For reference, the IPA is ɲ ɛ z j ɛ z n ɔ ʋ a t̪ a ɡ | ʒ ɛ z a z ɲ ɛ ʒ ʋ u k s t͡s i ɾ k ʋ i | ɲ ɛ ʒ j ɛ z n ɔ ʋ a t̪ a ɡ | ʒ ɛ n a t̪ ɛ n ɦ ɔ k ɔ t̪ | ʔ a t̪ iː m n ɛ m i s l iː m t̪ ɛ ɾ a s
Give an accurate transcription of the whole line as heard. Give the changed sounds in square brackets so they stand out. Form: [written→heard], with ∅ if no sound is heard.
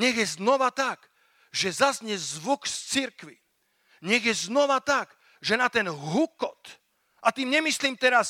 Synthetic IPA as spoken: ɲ ɛ [z→ɣ] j ɛ z n ɔ ʋ a t̪ a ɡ | ʒ ɛ z a z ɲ ɛ [ʒ→z] ʋ u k s t͡s i ɾ k ʋ i | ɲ ɛ [ʒ→ɣ] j ɛ z n ɔ ʋ a t̪ a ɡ | ʒ ɛ n a t̪ ɛ n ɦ [ɔ→u] k ɔ t̪ | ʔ a t̪ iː m [n→ɲ] ɛ m i s l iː m t̪ ɛ ɾ a s